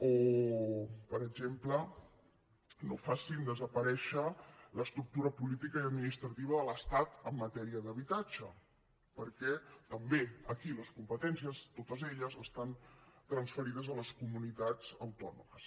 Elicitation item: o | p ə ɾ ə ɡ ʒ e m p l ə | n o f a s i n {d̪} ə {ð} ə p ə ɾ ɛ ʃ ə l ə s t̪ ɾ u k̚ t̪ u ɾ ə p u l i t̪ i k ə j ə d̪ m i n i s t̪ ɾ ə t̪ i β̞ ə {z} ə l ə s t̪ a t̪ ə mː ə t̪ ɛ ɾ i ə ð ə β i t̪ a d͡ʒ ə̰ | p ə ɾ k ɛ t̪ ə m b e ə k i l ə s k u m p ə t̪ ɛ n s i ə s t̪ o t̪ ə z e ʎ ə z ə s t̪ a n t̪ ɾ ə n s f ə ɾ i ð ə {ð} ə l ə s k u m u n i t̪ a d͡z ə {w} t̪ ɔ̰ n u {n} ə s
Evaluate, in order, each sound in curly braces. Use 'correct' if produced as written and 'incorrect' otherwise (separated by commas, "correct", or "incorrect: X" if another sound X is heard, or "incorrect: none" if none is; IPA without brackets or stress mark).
correct, incorrect: z, incorrect: ð, incorrect: z, correct, incorrect: m